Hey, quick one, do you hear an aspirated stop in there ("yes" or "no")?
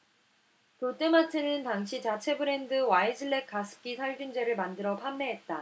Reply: yes